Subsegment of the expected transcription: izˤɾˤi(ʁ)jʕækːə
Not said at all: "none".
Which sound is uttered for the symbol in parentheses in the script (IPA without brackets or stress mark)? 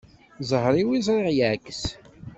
ʁ